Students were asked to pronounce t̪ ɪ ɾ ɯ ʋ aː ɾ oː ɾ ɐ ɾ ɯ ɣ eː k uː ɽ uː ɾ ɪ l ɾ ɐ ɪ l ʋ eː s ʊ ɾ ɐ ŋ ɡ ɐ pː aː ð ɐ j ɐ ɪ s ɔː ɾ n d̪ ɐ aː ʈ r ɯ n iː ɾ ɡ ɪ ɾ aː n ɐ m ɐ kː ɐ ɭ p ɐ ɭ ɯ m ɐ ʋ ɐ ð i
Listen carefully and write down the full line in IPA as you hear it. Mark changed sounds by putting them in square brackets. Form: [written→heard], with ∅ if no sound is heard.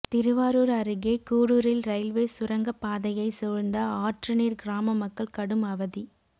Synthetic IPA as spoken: t̪ ɪ ɾ ɯ ʋ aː ɾ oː ɾ ɐ ɾ ɯ ɣ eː k uː ɽ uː ɾ ɪ l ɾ ɐ ɪ l ʋ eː s ʊ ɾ ɐ ŋ ɡ ɐ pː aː ð ɐ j ɐ ɪ s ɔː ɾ n d̪ ɐ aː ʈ r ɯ n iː ɾ ɡ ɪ ɾ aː [n→m] ɐ m ɐ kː ɐ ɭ [p→k] ɐ [ɭ→ɽ] ɯ m ɐ ʋ ɐ ð i